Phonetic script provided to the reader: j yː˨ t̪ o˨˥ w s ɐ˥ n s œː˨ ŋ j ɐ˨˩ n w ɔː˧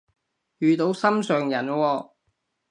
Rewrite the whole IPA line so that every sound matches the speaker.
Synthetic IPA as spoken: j yː˨ t̪ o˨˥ w s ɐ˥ m s œː˨ ŋ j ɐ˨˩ n w ɔː˧

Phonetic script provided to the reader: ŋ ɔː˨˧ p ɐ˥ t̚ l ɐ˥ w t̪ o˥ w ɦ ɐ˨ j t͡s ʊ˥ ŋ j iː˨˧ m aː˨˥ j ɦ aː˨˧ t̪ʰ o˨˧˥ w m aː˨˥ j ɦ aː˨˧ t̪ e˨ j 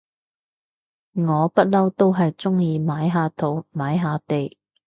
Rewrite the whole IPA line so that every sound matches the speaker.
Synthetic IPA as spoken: ŋ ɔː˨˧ p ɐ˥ t̚ l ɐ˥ w t̪ o˥ w ɦ ɐ˨ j t͡s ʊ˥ ŋ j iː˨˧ m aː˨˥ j ɦ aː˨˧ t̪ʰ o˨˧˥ w m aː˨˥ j ɦ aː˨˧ t̪ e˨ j

